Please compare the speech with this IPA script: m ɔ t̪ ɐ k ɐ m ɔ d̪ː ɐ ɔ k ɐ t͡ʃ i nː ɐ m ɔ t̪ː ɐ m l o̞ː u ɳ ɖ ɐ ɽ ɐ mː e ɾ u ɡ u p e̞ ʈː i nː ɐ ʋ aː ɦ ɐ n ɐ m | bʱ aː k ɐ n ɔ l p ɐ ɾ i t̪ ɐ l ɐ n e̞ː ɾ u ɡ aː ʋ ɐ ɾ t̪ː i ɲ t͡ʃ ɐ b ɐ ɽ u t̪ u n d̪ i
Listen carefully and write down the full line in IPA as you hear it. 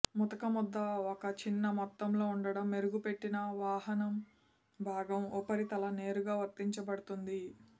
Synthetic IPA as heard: m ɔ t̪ ɐ k ɐ m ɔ d̪ː ɐ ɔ k ɐ t͡ʃ i nː ɐ m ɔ t̪ː ɐ m l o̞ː u ɳ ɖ ɐ ɽ ɐ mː e ɾ u ɡ u p e̞ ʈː i n ɐ ʋ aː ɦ ɐ n ɐ m | bʱ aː ɡ ɐ m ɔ p ɐ ɾ i t̪ ɐ l ɐ n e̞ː ɾ u ɡ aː ʋ ɐ ɾ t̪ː i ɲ t͡ʃ ɐ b ɐ ɽ u t̪ u n d̪ i